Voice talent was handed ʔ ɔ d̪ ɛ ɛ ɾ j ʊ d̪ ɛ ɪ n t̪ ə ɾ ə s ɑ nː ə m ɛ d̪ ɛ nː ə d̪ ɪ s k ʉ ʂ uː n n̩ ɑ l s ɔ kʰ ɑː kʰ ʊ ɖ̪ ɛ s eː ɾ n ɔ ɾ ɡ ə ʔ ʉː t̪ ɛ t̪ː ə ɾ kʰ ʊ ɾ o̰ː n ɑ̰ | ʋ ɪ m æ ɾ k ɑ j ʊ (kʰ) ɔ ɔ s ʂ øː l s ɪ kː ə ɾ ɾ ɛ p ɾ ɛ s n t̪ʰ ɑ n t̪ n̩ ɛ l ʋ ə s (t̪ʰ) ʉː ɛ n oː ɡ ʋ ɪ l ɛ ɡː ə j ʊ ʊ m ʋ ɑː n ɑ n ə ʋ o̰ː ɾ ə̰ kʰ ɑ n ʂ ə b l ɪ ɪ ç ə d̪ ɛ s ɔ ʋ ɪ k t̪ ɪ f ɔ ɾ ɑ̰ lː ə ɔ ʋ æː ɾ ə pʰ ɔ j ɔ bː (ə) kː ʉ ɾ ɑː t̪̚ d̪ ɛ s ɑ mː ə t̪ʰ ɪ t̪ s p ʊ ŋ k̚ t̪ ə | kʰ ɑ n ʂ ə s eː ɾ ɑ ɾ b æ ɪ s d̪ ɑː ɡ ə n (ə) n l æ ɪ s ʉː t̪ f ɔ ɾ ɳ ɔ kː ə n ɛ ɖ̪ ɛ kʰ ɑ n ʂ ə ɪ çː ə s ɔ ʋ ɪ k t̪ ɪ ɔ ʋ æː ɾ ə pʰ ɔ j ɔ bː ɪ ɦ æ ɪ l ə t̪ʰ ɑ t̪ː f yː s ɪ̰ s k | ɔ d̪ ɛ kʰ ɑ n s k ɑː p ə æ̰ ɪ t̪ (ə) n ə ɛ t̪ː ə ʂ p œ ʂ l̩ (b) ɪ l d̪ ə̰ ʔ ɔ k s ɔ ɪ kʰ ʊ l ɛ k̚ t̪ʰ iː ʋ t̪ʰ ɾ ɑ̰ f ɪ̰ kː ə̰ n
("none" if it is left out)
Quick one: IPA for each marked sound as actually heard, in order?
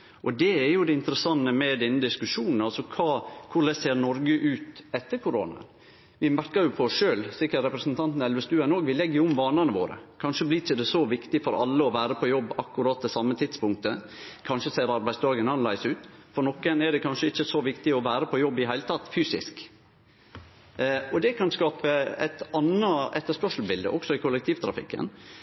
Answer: pʰ, t̪, ɑ, ɑ, ɑ, b

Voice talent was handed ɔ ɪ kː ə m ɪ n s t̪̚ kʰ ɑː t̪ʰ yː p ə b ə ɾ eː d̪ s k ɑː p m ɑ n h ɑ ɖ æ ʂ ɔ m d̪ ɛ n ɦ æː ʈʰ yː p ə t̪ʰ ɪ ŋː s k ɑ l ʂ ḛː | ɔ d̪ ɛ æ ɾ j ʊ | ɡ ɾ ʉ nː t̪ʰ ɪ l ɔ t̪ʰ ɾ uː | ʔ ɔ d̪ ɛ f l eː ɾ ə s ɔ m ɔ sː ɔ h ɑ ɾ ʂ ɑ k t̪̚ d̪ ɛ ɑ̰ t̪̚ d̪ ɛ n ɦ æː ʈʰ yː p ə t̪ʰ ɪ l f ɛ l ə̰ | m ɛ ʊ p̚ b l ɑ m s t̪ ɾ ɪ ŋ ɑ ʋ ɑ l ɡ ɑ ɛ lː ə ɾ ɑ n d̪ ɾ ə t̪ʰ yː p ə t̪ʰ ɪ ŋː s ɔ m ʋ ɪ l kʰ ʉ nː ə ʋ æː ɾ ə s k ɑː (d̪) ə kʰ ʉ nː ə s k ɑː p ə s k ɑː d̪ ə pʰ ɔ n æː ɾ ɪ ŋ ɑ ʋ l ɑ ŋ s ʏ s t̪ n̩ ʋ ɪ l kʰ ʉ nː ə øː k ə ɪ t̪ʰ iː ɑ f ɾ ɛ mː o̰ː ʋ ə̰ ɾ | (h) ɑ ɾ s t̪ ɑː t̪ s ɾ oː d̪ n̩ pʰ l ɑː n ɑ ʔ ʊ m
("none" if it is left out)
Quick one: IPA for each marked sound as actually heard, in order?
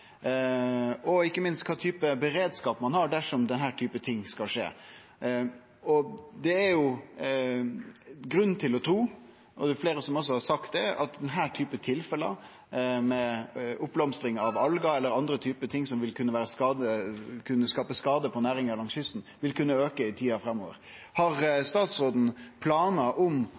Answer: d̪, h

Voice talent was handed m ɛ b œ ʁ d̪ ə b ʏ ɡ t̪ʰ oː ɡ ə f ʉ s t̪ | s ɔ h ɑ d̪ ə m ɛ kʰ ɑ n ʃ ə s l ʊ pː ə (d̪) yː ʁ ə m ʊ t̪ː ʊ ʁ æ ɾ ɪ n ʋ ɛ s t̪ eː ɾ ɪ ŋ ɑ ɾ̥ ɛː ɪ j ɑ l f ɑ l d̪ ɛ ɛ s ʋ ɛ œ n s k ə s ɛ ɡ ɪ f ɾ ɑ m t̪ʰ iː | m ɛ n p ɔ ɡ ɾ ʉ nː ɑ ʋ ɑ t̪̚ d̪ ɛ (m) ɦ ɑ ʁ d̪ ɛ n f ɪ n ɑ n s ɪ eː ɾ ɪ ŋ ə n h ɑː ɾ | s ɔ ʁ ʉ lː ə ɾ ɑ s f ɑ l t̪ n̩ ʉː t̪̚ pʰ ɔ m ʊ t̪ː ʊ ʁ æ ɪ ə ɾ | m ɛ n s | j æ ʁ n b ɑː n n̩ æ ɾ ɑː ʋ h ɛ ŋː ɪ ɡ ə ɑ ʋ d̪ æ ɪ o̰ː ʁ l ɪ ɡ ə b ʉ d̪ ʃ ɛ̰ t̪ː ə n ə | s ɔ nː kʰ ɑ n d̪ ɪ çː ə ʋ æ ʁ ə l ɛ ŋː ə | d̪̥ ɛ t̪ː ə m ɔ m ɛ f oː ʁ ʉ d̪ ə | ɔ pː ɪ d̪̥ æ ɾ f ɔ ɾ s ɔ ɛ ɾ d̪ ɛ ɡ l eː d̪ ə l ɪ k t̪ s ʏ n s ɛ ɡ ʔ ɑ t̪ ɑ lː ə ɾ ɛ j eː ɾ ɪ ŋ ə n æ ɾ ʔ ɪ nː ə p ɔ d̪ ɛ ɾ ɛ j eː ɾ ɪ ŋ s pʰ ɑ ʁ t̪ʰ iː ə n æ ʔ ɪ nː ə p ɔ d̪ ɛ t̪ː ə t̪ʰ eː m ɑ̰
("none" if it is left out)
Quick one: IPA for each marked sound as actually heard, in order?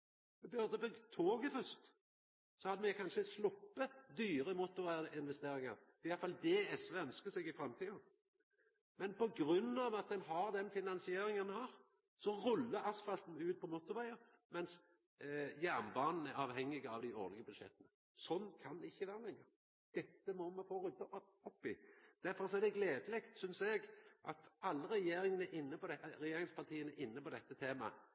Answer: d̪, n

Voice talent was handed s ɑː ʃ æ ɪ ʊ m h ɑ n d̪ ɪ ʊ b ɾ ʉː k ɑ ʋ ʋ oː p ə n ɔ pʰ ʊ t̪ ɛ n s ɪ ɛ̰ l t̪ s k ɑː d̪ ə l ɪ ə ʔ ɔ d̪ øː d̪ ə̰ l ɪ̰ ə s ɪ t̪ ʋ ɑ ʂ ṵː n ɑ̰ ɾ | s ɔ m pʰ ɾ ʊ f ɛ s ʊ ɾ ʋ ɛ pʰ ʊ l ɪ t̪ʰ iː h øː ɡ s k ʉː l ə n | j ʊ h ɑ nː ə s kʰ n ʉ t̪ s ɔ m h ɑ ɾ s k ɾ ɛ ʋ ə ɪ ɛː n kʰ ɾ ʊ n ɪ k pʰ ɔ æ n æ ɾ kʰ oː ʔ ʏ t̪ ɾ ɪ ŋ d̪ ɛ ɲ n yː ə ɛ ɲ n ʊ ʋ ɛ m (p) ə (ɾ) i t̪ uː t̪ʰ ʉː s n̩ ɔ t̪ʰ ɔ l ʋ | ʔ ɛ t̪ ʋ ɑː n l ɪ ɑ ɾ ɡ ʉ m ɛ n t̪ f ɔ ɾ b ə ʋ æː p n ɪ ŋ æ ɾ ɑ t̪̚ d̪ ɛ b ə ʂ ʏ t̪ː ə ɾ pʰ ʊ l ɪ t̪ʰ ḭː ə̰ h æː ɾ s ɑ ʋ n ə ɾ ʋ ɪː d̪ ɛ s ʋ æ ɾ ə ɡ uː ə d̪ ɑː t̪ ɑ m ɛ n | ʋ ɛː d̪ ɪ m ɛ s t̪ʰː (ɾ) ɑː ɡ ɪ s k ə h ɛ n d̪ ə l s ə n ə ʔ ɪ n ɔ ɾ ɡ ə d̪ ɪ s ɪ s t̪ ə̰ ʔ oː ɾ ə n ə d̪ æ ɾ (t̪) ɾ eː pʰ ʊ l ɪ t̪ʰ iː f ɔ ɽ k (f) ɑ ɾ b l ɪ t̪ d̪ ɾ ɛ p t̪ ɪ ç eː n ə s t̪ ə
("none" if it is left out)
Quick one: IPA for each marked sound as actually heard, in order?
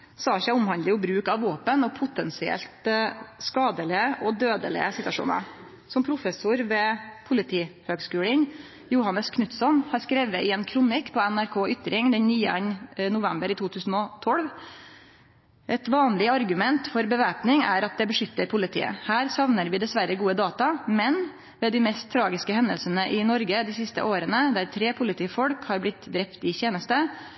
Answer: b, ɾ, ɾ, t̪ʰ, h

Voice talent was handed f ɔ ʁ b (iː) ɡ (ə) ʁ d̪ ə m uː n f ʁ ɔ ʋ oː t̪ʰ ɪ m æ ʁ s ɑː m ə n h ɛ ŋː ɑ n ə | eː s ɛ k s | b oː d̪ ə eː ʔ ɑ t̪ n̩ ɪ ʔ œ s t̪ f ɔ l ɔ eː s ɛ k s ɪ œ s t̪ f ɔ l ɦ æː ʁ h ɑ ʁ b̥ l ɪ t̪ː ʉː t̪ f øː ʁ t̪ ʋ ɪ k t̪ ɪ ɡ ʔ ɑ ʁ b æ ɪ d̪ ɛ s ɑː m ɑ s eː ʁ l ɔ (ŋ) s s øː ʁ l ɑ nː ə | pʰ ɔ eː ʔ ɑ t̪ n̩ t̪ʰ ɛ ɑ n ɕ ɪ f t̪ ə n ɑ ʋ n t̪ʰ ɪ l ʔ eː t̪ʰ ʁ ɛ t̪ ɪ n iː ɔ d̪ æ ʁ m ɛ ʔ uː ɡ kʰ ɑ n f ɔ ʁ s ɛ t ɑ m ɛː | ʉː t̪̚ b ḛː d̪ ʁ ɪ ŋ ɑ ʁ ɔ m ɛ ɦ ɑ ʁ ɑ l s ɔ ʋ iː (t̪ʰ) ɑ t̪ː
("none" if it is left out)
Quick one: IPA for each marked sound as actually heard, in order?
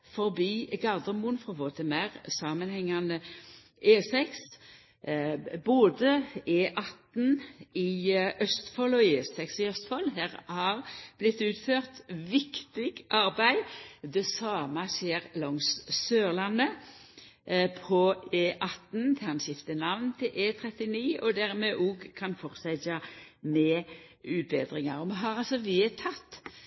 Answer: iː, ɑ, ŋ, t̪ʰ

